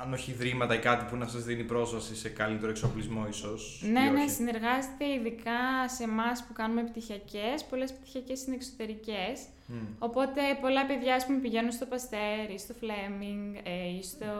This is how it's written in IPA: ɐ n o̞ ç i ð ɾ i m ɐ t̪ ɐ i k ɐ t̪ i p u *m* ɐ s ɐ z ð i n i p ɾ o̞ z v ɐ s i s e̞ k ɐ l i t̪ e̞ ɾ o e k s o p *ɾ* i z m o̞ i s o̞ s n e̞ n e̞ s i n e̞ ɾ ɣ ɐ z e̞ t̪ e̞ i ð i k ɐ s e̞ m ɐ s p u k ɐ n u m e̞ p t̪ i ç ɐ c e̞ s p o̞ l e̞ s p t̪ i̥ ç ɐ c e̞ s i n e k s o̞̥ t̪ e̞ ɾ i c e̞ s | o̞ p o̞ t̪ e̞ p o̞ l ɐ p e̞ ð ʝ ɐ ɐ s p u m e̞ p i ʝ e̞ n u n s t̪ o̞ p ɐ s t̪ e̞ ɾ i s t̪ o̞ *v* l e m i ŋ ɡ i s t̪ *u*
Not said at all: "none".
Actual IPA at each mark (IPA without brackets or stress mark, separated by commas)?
n, l, f, o